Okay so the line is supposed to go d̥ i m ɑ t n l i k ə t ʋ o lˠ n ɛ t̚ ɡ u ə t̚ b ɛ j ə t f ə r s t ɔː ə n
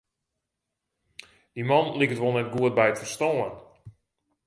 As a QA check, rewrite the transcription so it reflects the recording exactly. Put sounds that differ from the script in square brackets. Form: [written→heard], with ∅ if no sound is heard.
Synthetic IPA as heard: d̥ i m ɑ [t→∅] n l i k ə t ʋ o lˠ n ɛ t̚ ɡ u ə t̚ b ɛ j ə t f ə r s t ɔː ə n

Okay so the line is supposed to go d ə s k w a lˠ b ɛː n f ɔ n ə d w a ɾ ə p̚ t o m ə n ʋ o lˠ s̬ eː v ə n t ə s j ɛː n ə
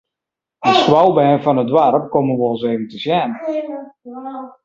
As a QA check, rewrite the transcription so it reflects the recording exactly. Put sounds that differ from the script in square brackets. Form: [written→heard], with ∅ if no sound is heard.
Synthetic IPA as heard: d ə s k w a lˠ b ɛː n f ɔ n ə d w a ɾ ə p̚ [t→k] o m ə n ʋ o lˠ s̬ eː v ə n t ə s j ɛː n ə

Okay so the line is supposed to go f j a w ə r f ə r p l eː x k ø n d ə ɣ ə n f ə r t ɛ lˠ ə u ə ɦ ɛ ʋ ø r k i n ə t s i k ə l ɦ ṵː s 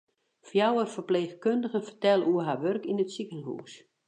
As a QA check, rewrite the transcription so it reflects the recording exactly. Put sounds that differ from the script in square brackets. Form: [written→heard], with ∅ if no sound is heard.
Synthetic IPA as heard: f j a w ə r f ə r p l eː x k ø n d ə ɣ ə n f ə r t ɛ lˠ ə u ə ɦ [ɛ→a] ʋ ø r k i n ə t s i k ə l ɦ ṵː s

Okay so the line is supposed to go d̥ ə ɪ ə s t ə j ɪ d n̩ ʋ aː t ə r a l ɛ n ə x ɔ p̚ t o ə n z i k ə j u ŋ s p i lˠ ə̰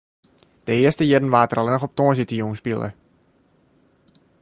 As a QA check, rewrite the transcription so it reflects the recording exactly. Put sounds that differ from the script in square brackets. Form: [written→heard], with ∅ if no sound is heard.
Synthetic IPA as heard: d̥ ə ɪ ə s t ə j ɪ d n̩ ʋ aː t ə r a l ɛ n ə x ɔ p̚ t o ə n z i [k→t] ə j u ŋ s p i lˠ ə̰

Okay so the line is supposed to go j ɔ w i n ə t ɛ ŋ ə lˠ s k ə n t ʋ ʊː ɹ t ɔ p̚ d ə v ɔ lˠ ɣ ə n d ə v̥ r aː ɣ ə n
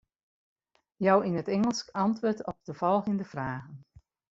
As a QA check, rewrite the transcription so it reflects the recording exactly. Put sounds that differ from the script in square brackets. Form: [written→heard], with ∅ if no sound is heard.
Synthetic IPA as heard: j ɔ w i n ə t ɛ ŋ ə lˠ s k [ə→ɑ] n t ʋ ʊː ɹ t ɔ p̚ d ə v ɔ lˠ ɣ ə n d ə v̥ r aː ɣ ə n

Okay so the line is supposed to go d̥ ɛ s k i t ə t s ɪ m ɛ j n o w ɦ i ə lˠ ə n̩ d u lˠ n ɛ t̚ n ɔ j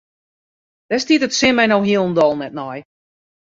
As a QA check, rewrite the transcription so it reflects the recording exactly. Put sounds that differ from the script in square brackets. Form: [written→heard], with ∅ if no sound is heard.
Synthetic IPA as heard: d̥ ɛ s [k→t] i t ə t s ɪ m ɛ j n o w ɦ i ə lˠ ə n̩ d [u→ɔ] lˠ n ɛ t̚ n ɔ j

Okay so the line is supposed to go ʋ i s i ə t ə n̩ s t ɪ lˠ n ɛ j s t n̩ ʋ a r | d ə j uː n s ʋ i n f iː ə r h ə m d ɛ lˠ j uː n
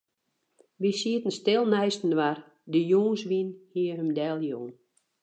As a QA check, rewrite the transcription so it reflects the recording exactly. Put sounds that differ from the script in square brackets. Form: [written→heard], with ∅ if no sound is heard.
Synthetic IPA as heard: ʋ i s i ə t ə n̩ s t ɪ lˠ n ɛ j s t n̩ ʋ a r | d ə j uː n s ʋ i n [f→h] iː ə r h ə m d ɛ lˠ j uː n

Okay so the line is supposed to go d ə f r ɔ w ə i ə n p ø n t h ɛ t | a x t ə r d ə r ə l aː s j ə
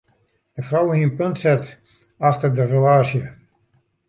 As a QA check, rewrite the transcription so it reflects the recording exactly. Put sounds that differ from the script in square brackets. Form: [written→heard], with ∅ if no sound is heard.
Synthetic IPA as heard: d ə f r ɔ w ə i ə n p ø n t [h→s] ɛ t | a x t ə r d ə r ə l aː s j ə

